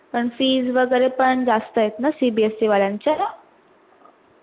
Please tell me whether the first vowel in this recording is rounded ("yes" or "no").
no